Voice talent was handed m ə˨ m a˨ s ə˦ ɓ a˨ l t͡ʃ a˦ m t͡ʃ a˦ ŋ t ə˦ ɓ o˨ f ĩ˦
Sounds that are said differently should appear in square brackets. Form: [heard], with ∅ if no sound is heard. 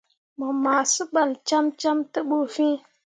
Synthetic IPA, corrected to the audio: m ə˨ m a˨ s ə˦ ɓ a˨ l t͡ʃ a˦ m t͡ʃ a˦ [m] t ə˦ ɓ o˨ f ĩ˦